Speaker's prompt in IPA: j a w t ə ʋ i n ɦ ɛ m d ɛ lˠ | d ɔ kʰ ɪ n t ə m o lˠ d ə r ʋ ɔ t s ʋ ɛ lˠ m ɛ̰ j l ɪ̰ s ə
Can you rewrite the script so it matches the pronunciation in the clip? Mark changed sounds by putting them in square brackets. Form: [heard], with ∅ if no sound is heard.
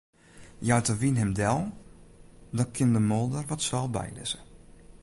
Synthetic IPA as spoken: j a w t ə ʋ i n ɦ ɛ m d ɛ lˠ | d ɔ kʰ ɪ n [d] ə m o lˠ d ə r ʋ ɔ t s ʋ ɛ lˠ [b] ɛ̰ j l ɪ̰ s ə